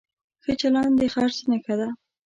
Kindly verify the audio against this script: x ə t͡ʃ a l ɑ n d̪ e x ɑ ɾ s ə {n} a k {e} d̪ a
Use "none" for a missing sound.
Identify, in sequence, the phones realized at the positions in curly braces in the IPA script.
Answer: n, a

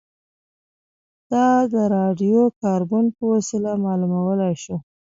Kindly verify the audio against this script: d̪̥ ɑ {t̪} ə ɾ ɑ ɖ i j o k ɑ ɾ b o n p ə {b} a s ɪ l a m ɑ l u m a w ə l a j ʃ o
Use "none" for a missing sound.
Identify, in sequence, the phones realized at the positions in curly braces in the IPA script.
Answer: d̪, w

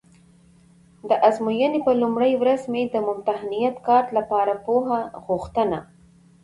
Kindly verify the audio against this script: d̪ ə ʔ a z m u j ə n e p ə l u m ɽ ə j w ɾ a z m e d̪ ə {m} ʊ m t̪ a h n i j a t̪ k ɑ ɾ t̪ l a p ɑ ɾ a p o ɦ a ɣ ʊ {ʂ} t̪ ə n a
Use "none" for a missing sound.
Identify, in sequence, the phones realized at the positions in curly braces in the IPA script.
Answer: m, x

